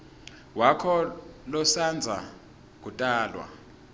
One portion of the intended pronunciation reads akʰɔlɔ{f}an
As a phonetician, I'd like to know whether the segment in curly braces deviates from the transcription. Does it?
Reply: yes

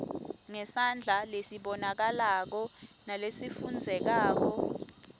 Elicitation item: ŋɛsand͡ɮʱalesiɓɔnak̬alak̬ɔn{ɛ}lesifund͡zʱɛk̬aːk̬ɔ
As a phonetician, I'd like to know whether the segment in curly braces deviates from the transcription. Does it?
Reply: yes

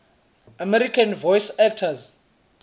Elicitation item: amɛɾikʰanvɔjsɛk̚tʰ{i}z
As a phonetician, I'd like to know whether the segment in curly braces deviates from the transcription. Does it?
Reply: yes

